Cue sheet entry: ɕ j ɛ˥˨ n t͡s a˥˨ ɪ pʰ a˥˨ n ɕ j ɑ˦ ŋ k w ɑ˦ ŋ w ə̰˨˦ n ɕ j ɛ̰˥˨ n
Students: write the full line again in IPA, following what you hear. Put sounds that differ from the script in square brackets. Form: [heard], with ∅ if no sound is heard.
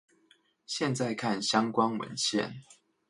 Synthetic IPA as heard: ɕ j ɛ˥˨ n t͡s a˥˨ ɪ [kʰ] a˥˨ n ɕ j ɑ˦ ŋ k w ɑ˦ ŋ w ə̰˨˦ n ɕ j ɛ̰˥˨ n